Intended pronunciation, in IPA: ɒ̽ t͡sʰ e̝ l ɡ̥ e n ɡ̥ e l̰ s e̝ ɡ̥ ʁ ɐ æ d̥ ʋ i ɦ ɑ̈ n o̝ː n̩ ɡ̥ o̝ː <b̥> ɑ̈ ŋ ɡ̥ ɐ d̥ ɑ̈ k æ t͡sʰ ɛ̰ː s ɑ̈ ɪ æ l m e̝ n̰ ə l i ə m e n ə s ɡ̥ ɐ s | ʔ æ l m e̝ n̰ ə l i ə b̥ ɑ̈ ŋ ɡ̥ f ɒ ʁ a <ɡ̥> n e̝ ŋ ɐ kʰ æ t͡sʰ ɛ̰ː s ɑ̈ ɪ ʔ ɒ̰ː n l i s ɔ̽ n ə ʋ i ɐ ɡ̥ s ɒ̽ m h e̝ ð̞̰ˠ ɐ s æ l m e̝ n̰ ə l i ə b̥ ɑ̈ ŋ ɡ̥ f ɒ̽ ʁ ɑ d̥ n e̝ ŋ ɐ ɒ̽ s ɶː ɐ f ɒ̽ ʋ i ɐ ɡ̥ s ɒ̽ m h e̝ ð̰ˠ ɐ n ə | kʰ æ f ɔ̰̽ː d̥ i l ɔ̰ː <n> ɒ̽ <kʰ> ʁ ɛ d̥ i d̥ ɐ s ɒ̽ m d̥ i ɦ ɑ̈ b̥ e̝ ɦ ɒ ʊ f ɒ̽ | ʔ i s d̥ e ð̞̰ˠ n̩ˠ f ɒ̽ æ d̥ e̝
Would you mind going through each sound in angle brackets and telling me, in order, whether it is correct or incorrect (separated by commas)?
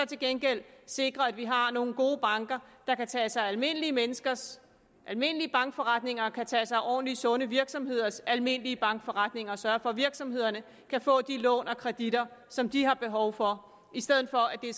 correct, incorrect, correct, correct